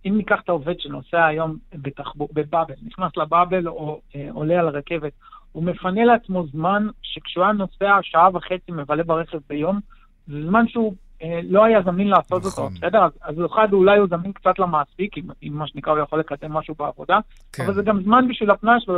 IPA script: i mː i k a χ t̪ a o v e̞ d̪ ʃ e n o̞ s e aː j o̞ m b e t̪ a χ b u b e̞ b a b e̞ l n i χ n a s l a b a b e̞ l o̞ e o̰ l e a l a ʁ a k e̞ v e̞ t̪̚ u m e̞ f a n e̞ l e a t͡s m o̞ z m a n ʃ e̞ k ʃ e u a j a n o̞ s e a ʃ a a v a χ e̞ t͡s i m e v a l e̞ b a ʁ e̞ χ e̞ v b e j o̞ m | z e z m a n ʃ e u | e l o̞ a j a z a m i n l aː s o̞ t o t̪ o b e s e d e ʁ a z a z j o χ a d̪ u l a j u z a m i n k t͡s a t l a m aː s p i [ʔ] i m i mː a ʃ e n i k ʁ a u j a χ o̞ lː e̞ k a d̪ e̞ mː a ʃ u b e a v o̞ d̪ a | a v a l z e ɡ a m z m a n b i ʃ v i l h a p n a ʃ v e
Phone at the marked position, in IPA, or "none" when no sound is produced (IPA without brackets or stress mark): k